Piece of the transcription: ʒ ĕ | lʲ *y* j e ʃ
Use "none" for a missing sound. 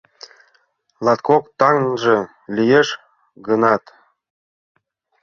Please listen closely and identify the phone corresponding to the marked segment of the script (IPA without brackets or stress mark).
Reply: i